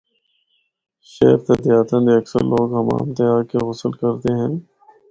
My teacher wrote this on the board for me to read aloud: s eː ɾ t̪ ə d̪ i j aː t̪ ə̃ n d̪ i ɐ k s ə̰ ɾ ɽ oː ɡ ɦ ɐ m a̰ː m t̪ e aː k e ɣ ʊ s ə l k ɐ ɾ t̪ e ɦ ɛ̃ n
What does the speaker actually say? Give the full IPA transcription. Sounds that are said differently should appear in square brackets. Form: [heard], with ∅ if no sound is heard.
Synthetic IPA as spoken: [ʃ] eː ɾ t̪ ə d̪ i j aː t̪ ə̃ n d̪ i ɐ k s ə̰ ɾ [l] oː ɡ ɦ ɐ m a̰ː m t̪ e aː k e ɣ ʊ s ə l k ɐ ɾ t̪ e ɦ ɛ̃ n